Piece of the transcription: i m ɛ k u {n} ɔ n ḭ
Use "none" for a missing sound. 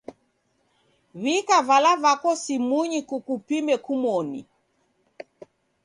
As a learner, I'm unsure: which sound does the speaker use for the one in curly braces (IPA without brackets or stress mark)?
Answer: m